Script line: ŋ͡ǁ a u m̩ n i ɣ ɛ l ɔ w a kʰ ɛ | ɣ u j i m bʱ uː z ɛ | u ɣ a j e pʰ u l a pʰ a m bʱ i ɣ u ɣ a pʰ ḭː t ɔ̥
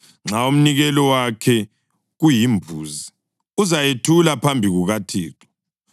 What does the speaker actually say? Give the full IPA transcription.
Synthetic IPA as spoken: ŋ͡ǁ a u m̩ n i ɣ ɛ l ɔ w a kʰ ɛ | ɣ u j i m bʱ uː z i | u z a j e tʰ u l a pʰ a m bʱ i ɣ u ɣ a tʰ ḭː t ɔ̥